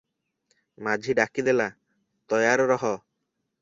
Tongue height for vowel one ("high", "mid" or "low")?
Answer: low